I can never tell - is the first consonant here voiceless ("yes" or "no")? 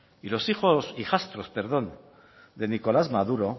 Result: no